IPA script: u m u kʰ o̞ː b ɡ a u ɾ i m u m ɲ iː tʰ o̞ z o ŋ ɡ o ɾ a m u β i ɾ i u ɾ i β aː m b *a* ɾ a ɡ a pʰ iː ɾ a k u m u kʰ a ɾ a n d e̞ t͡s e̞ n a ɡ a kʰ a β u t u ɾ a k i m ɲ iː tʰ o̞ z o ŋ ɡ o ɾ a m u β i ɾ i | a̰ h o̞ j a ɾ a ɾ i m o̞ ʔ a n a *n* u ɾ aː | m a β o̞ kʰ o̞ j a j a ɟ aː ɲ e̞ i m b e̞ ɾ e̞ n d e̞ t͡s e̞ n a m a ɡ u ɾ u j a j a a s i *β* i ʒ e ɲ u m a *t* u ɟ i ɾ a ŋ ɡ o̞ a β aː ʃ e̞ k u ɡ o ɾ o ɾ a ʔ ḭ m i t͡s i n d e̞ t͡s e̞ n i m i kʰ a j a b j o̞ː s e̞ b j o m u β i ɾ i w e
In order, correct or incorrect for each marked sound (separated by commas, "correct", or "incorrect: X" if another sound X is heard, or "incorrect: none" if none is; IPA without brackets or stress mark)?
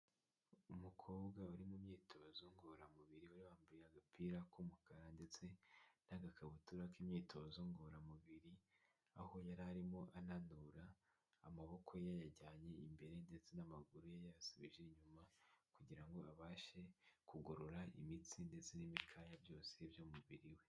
incorrect: i, correct, correct, incorrect: k